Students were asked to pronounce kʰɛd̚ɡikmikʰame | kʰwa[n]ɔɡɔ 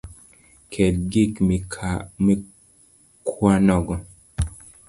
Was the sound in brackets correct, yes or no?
yes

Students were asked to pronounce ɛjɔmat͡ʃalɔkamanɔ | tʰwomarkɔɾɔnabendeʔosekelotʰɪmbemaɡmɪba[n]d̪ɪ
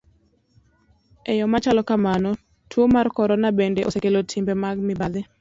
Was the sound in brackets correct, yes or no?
no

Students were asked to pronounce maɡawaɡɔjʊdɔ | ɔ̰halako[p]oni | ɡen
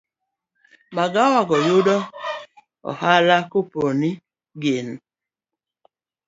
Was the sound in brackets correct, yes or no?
yes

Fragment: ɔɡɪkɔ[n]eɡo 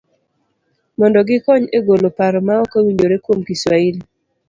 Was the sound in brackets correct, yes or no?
no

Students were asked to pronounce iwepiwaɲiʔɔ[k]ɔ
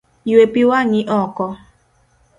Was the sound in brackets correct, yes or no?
yes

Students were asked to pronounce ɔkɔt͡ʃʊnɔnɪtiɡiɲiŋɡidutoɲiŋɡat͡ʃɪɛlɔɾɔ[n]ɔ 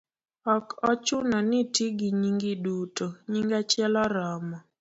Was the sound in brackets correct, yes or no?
no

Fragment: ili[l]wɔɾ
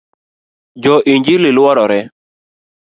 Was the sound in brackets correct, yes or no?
yes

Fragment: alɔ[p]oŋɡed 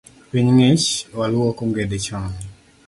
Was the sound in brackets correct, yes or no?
no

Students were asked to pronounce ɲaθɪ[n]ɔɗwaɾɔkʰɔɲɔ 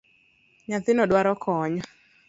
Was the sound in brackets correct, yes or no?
yes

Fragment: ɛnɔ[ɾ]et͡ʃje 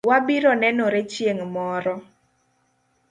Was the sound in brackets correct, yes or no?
yes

